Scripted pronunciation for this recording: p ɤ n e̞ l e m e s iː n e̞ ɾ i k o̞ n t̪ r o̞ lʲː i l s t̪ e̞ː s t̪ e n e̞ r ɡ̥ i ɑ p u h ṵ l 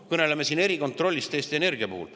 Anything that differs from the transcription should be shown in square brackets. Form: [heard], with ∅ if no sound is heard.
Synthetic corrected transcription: [k] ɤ n e̞ l e m e s iː n e̞ ɾ i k o̞ n t̪ r o̞ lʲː i [∅] s t̪ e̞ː s t̪ e n e̞ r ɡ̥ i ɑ p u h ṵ l